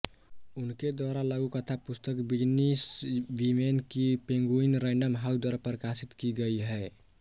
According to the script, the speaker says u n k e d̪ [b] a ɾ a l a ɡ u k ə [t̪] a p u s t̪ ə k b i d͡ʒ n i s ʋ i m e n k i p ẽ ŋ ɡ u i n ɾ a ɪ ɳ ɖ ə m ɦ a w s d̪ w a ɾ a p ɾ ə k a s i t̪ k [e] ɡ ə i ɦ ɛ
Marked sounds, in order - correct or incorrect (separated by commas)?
incorrect, incorrect, incorrect